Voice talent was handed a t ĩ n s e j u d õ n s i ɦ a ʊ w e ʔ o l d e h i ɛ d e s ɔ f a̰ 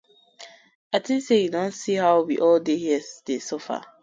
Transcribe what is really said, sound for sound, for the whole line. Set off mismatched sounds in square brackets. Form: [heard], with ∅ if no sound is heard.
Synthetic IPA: a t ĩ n s e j u d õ n s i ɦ a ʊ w [i] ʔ [ɔ] l d e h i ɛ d e s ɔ f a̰